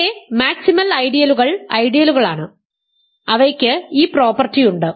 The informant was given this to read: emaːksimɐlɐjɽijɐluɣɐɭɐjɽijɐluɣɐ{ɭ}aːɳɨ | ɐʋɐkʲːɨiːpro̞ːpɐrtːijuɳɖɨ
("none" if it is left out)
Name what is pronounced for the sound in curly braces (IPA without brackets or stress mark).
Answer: ɭ